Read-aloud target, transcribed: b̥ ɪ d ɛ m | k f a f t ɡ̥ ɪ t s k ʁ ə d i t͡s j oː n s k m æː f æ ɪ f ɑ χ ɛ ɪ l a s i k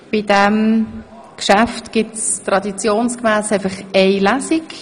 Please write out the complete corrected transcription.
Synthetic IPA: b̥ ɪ d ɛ m | k ʃ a f t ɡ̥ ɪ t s t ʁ ɑ d i t͡s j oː n s k m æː s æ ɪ f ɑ χ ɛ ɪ l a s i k